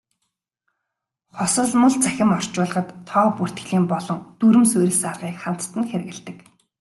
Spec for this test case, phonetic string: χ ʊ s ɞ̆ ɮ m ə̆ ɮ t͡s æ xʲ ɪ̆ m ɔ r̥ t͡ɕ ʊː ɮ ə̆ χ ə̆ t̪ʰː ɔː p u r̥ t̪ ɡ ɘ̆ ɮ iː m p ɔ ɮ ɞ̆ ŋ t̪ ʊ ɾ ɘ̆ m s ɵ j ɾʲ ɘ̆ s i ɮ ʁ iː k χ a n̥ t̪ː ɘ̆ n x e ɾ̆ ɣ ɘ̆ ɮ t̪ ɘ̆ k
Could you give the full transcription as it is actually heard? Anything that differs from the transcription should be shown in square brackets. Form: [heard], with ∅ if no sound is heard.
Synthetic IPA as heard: χ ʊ s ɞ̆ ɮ m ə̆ ɮ t͡s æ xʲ ɪ̆ m ɔ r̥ t͡ɕ ʊː ɮ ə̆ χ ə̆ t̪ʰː ɔː p u r̥ t̪ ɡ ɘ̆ ɮ iː m p ɔ ɮ ɞ̆ ŋ t̪ [u] ɾ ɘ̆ m s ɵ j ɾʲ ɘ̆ s [a] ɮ ʁ iː k χ a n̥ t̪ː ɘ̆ n x e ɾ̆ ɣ ɘ̆ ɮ t̪ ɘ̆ k